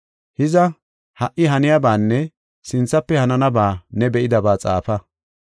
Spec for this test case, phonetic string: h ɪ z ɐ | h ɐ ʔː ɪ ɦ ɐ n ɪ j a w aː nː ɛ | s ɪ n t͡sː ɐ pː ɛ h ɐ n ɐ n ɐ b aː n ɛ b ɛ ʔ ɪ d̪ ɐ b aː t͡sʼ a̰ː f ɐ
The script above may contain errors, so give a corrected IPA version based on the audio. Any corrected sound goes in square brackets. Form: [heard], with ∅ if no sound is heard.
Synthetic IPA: h ɪ z ɐ | h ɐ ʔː ɪ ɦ ɐ n ɪ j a [b] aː nː ɛ | s ɪ n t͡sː ɐ pː ɛ h ɐ n ɐ n ɐ b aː n ɛ b ɛ ʔ ɪ d̪ ɐ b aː t͡sʼ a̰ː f ɐ

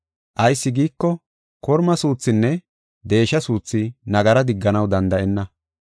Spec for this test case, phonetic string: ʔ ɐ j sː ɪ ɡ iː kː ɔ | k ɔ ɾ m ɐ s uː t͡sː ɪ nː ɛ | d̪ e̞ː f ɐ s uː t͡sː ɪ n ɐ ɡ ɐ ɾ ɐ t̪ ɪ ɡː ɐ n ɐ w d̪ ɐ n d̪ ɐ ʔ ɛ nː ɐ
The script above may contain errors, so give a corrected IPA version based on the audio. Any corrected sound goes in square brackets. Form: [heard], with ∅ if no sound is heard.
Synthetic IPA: ʔ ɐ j sː ɪ ɡ iː kː ɔ | k ɔ ɾ m ɐ s uː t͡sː ɪ nː ɛ | d̪ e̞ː [ʃ] ɐ s uː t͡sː ɪ n ɐ ɡ ɐ ɾ ɐ [d̪] ɪ ɡː ɐ n ɐ w d̪ ɐ n d̪ ɐ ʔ ɛ nː ɐ

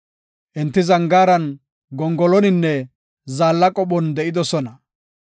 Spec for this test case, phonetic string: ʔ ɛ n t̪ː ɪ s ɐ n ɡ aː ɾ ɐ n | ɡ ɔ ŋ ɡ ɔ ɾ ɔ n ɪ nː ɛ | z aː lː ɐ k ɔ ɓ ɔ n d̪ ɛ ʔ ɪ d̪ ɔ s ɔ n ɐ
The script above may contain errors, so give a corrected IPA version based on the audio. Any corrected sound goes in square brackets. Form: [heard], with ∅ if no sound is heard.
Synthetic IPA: ʔ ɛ n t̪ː ɪ [z] ɐ [ŋ] ɡ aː ɾ ɐ n | ɡ ɔ ŋ ɡ ɔ [l] ɔ n ɪ nː ɛ | z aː lː ɐ [kʼ] ɔ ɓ ɔ n d̪ ɛ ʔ ɪ d̪ ɔ s ɔ n ɐ

